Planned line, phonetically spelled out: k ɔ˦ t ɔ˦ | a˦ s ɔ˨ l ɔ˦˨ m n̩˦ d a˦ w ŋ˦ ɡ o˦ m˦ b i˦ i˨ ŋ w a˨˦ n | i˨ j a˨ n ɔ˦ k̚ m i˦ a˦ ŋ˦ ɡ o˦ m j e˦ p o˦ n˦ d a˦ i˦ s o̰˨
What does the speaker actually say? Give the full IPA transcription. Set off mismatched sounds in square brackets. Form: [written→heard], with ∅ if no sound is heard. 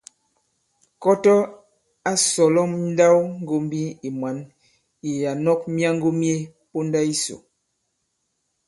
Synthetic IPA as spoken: k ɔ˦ t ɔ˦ | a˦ s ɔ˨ l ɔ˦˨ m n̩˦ d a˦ w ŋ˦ ɡ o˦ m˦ b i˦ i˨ [ŋ→m] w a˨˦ n | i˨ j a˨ n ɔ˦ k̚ m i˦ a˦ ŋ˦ ɡ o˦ m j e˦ p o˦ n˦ d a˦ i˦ s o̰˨